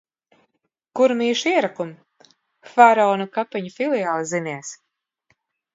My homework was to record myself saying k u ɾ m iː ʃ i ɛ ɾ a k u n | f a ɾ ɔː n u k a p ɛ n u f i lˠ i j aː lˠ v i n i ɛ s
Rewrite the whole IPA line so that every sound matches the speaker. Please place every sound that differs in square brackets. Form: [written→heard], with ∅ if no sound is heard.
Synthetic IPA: k u ɾ m iː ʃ i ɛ ɾ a k u [n→m] | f a ɾ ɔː n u k a p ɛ [n→ɲ] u f i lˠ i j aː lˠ [v→z] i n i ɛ s